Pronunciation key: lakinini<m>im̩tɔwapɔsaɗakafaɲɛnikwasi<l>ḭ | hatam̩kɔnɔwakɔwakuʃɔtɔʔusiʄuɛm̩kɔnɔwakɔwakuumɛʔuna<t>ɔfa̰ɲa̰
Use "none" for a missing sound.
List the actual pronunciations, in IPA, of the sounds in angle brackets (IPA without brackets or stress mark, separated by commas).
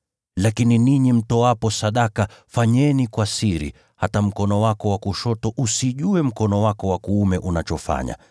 ɲ, ɾ, t͡ʃ